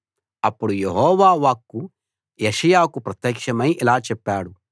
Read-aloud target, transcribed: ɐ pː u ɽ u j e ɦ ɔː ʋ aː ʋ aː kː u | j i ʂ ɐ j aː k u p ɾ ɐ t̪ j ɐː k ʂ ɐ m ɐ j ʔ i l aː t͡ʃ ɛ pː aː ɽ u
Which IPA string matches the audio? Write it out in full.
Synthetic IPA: ɐ pː u ɽ u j e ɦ ɔː ʋ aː ʋ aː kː u | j e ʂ ɐ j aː k u p ɾ ɐ t̪ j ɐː k ʂ ɐ m ɐ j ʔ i l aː t͡ʃ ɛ pː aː ɽ u